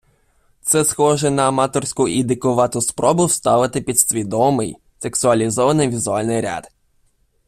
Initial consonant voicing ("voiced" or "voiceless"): voiceless